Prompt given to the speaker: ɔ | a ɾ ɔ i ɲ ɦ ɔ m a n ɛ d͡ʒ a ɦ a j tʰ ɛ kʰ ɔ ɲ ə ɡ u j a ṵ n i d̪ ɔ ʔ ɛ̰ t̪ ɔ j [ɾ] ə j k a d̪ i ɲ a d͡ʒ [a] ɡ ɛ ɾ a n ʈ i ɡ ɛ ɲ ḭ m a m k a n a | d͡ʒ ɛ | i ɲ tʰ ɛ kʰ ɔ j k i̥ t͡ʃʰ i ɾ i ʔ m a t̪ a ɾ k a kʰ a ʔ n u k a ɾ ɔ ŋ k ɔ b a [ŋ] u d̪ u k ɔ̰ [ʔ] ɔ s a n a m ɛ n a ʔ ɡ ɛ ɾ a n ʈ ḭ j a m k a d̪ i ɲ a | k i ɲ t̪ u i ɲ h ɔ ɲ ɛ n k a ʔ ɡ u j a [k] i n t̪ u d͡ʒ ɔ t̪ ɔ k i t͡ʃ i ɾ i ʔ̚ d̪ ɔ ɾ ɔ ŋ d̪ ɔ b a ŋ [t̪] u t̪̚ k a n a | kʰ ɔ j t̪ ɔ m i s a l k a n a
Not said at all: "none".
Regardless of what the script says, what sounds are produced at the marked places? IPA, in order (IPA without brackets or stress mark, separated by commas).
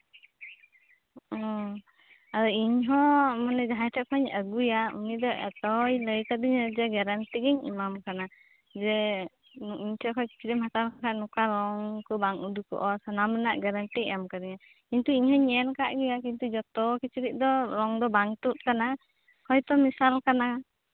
l, ɛ, ŋ, ʔ, k, t̪